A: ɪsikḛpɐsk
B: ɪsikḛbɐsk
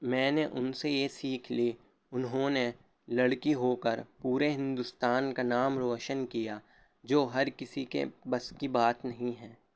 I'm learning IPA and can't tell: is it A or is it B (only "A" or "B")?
B